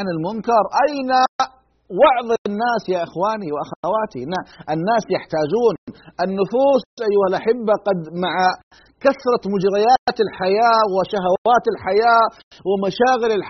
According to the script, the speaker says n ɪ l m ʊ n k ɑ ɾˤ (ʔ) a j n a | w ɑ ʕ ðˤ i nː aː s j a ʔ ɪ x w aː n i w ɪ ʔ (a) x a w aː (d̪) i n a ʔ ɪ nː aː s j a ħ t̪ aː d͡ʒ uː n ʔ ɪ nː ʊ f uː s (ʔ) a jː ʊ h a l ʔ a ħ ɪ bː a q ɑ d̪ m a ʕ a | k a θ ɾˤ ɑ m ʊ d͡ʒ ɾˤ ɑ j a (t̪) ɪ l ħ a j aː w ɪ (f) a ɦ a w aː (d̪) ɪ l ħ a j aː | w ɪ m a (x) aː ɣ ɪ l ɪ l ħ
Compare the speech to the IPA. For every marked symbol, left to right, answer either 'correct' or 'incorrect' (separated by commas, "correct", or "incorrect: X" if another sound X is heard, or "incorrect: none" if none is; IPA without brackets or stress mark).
correct, correct, incorrect: t̪, correct, correct, incorrect: ʃ, incorrect: t̪, incorrect: ʃ